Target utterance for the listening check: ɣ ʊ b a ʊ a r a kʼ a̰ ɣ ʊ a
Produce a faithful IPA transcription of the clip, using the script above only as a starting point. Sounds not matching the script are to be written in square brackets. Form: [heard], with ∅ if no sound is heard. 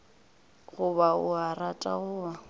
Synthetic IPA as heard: ɣ ʊ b a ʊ a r a [tʼ] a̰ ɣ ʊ a